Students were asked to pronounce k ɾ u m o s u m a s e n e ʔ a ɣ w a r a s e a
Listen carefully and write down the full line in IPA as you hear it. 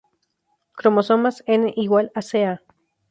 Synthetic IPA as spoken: k ɾ o m o s o m a s e n e ʔ i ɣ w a l a s e a